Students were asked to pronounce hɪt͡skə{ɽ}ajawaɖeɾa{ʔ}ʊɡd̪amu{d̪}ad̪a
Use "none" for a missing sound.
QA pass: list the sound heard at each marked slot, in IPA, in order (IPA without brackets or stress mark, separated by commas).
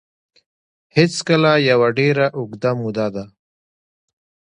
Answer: l, ʔ, d̪